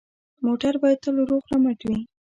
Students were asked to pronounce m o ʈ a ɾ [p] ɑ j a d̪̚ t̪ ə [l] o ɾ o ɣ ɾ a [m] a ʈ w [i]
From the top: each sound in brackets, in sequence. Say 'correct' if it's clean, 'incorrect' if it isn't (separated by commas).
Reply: incorrect, correct, correct, correct